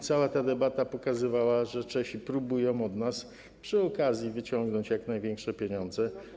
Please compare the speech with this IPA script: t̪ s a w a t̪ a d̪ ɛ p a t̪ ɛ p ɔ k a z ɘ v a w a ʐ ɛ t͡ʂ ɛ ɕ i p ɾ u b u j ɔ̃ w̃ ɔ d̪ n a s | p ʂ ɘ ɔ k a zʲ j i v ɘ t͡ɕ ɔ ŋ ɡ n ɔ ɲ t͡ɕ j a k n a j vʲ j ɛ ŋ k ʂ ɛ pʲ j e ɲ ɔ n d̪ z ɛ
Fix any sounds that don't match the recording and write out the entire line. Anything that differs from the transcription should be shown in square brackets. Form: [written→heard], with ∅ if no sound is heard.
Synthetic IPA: t̪ s a w a t̪ a d̪ ɛ [p→b] a t̪ [ɛ→a] p ɔ k a z ɘ v a w a ʐ ɛ t͡ʂ ɛ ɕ i p ɾ u b u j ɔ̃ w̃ ɔ d̪ n a s | p ʂ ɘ ɔ k a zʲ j i v ɘ t͡ɕ ɔ ŋ ɡ n ɔ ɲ t͡ɕ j a k n a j vʲ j ɛ ŋ k ʂ ɛ pʲ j e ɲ ɔ n d̪ z ɛ